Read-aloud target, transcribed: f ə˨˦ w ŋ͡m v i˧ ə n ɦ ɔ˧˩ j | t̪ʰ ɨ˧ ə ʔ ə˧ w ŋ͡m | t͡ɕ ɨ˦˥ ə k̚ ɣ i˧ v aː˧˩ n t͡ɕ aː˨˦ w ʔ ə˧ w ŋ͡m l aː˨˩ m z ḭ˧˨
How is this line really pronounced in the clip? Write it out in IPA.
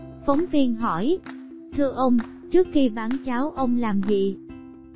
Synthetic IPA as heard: f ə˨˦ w ŋ͡m v i˧ ə n ɦ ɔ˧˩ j | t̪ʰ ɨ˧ ə ʔ ə˧ w ŋ͡m | t͡ɕ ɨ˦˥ ə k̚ x i˧ v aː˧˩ n t͡ɕ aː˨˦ w ʔ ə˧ w ŋ͡m l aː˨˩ m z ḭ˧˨